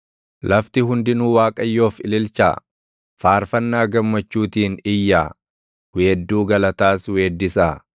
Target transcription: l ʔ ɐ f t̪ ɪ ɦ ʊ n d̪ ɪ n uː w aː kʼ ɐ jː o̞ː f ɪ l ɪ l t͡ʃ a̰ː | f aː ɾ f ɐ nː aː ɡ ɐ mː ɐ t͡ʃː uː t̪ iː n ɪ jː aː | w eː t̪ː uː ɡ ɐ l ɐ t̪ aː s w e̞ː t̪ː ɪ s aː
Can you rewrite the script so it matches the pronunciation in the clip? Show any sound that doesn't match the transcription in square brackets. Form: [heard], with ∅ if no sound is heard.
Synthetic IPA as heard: l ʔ ɐ f t̪ ɪ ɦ ʊ n d̪ ɪ n uː w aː kʼ ɐ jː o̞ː f ɪ l ɪ l t͡ʃ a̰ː | f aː ɾ f ɐ nː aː ɡ ɐ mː ɐ t͡ʃː uː t̪ iː n ɪ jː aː | w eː [d̪ː] uː ɡ ɐ l ɐ t̪ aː s w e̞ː [d̪ː] ɪ s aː